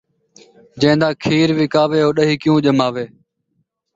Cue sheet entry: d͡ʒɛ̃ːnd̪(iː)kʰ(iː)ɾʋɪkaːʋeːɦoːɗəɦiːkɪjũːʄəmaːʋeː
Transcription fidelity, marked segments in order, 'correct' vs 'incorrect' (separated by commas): incorrect, correct